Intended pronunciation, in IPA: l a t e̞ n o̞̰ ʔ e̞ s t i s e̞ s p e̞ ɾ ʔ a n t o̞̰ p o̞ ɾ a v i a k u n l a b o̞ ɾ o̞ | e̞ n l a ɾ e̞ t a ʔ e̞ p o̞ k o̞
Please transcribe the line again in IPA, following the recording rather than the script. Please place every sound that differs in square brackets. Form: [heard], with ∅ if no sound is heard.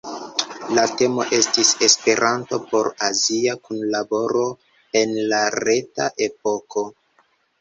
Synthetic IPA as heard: l a t e̞ [m] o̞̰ ʔ e̞ s t i s e̞ s p e̞ ɾ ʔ a n t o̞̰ p o̞ ɾ a [z] i a k u n l a b o̞ ɾ o̞ | e̞ n l a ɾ e̞ t a ʔ e̞ p o̞ k o̞